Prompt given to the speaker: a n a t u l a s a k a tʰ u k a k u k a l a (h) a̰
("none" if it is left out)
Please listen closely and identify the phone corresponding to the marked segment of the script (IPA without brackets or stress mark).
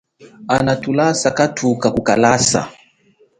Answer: s